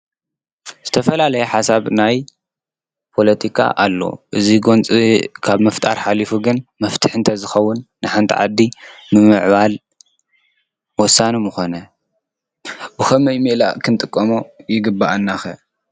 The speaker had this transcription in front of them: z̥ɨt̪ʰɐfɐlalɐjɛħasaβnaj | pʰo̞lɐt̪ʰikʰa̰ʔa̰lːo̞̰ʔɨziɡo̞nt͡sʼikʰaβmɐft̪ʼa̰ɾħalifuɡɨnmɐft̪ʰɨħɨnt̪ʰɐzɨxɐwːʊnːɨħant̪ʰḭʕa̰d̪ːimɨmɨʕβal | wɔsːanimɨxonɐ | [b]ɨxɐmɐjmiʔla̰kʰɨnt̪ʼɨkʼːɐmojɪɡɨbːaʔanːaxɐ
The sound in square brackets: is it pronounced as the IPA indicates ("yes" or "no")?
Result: yes